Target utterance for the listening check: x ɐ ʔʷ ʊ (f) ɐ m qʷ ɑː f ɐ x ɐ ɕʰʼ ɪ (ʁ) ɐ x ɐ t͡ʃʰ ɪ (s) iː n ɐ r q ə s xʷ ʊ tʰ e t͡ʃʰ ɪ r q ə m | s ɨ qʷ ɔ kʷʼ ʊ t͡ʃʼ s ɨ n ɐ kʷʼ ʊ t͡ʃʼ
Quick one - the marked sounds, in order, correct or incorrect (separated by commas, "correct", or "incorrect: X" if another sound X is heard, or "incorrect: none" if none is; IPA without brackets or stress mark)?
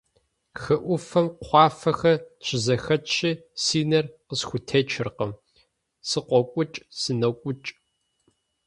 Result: correct, incorrect: z, correct